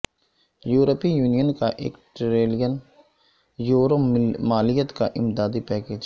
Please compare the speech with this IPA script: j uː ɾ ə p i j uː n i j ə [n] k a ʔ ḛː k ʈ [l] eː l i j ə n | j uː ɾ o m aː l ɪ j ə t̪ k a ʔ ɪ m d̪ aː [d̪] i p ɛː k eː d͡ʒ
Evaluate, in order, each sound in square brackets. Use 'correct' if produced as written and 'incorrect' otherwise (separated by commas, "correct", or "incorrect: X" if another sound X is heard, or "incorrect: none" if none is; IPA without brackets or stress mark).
correct, incorrect: ɾ, correct